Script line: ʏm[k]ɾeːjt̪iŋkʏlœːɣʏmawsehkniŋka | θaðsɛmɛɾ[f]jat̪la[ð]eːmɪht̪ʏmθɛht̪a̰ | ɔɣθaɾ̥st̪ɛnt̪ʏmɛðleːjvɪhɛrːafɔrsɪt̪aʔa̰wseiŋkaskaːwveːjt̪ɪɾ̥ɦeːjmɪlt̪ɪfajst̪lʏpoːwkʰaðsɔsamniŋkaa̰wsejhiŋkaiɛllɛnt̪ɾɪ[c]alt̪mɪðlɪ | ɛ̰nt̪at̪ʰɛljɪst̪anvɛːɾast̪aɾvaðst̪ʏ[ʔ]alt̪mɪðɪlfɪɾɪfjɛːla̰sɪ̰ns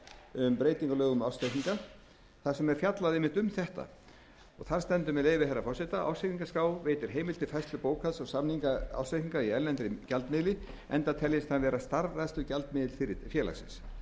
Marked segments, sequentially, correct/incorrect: incorrect, correct, correct, correct, incorrect

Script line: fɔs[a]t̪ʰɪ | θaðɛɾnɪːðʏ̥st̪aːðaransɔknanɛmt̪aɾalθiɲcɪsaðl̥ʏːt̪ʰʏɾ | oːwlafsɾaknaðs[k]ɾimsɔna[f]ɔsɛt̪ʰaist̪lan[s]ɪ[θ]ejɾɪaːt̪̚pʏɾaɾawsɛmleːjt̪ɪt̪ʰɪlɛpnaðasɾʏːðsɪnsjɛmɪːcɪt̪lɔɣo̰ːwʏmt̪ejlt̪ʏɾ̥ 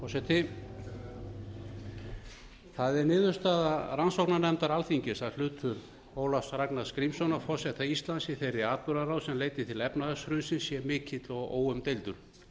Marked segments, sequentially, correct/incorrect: incorrect, correct, correct, correct, correct

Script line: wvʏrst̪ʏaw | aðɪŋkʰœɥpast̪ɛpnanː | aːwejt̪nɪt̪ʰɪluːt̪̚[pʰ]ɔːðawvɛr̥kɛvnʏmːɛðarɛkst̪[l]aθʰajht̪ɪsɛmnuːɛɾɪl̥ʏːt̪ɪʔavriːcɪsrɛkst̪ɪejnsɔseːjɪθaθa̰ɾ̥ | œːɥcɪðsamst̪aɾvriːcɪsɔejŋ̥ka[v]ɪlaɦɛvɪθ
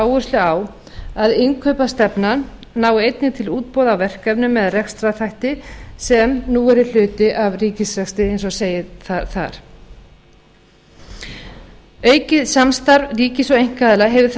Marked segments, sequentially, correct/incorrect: incorrect, incorrect, incorrect

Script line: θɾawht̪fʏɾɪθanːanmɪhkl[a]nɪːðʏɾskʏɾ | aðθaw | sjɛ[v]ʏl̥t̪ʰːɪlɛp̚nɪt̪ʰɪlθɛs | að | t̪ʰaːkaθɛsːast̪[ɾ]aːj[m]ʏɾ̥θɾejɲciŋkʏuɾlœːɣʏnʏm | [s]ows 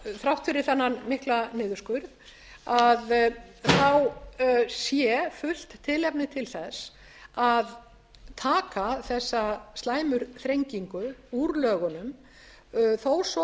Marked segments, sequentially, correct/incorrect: correct, incorrect, incorrect, correct, incorrect

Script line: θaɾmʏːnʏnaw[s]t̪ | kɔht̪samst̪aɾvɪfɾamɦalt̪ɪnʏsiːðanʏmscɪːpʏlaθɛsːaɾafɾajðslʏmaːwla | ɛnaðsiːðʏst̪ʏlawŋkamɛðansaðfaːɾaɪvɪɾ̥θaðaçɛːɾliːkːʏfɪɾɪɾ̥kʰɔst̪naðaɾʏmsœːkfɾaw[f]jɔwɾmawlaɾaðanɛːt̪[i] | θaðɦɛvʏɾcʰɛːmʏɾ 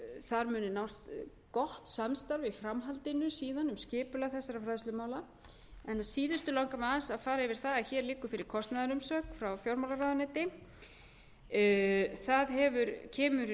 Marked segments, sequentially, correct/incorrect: correct, correct, incorrect

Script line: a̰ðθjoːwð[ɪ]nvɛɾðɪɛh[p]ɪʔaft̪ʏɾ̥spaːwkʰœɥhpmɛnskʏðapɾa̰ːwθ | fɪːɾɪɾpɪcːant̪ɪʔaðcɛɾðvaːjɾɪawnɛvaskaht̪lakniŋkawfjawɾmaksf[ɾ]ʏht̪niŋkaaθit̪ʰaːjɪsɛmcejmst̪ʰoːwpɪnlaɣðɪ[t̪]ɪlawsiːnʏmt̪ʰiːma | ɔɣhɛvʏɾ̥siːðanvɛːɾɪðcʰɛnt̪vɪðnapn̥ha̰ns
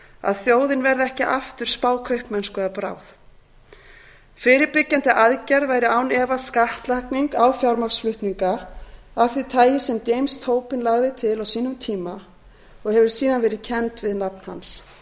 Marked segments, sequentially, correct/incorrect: correct, incorrect, incorrect, incorrect

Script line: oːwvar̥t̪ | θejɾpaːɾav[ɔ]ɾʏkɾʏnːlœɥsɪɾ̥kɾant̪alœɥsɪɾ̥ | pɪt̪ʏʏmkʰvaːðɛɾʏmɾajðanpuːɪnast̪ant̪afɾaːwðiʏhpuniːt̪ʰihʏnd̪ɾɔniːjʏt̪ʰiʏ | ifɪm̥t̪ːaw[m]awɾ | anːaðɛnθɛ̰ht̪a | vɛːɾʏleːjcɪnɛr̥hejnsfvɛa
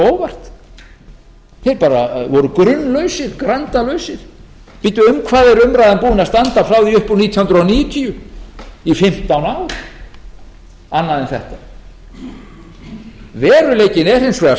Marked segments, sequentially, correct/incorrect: correct, incorrect

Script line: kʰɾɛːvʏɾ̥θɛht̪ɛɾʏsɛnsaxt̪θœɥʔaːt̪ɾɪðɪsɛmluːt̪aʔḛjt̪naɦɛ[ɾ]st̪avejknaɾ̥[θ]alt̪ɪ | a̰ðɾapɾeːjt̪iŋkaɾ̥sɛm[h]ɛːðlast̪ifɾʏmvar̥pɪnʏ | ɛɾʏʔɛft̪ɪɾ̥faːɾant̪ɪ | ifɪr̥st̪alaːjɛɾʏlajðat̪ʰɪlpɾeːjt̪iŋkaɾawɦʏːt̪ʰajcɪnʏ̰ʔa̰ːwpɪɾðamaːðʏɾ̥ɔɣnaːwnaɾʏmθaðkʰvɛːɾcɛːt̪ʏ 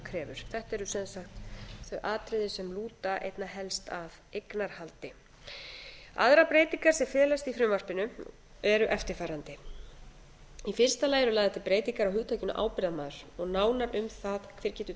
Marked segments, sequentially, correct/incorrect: incorrect, incorrect, incorrect

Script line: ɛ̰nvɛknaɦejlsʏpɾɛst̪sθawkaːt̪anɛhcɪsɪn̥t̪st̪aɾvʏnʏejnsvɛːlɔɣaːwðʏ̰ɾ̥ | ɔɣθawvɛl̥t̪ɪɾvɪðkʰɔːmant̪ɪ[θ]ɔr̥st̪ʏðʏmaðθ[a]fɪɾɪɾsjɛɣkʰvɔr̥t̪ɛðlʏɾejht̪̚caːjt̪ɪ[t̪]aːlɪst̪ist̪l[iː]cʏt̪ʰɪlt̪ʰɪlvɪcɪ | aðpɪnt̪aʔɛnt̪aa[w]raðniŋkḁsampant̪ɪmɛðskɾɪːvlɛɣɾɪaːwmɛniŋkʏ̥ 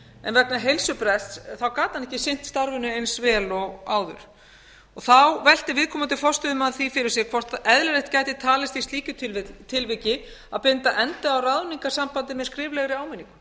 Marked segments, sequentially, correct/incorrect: incorrect, incorrect, incorrect, correct, correct

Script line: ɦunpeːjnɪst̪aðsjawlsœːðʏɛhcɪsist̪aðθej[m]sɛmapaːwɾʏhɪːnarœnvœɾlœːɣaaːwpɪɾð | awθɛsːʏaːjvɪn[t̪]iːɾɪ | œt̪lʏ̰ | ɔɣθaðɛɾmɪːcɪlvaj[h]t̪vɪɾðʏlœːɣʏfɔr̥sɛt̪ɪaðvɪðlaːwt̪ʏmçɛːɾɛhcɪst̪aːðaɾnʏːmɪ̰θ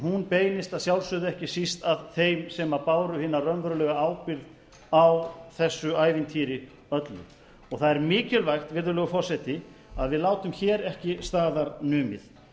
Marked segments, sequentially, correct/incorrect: correct, incorrect, incorrect

